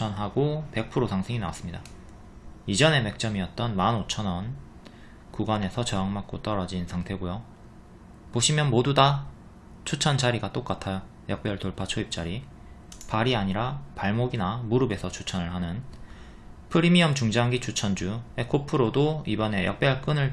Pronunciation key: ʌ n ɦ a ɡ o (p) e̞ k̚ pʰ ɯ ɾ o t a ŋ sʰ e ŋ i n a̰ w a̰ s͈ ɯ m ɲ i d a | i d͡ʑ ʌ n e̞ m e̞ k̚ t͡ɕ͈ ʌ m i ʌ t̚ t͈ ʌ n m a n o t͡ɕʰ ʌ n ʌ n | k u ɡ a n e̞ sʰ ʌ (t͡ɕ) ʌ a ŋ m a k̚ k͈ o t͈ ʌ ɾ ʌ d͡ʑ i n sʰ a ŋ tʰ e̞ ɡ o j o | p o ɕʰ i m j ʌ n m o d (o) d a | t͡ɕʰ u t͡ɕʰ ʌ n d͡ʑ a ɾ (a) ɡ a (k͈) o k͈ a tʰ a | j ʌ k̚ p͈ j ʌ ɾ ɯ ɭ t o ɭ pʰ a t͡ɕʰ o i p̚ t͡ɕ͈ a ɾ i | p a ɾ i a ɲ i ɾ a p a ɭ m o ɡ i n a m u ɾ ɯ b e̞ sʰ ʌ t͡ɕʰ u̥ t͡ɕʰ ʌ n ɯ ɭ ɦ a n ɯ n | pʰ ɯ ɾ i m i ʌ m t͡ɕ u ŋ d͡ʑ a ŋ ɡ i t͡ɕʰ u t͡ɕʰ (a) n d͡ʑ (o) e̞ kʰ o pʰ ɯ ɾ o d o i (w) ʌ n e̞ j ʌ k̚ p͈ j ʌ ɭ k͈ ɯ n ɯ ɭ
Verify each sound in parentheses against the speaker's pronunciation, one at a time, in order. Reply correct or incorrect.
correct, correct, incorrect, incorrect, incorrect, incorrect, incorrect, incorrect

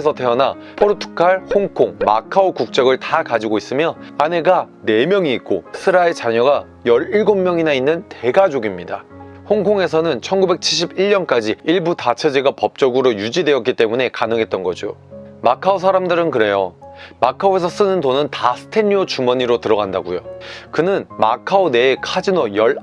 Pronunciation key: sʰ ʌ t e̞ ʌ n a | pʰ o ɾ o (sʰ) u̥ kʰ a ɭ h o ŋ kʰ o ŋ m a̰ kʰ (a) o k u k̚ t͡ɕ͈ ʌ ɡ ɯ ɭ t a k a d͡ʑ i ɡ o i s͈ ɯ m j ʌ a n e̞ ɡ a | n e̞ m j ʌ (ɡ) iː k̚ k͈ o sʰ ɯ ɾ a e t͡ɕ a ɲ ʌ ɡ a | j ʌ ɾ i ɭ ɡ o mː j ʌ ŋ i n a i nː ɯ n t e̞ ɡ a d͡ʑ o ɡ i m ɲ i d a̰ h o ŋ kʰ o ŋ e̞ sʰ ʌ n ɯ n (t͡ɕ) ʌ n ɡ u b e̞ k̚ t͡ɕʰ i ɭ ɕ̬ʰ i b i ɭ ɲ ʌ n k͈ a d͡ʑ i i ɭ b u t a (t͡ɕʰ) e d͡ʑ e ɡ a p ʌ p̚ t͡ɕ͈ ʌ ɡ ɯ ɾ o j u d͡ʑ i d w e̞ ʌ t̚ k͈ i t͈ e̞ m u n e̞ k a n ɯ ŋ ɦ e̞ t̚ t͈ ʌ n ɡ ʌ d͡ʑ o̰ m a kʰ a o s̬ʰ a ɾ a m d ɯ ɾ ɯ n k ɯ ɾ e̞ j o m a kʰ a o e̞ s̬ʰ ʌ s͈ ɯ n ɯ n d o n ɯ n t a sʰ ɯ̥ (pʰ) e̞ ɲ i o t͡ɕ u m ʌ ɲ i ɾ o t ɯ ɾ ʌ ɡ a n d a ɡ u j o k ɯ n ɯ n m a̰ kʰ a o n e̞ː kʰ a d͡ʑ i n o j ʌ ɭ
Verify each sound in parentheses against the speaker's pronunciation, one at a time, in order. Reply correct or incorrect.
incorrect, correct, incorrect, incorrect, correct, incorrect

